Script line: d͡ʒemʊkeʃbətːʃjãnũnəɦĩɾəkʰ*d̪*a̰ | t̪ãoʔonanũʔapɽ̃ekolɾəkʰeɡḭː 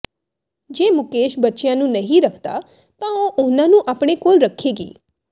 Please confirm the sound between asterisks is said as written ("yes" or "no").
no